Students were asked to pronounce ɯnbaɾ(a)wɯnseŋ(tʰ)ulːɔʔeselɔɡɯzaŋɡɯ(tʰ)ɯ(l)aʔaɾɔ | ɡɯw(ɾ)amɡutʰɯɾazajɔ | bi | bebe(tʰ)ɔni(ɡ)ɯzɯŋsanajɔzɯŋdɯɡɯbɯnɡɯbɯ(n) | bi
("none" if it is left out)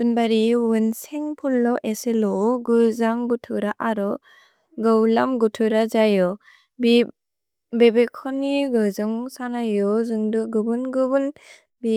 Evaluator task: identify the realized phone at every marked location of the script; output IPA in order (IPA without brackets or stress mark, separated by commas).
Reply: i, pʰ, tʰ, ɾ, l, kʰ, ɡ, n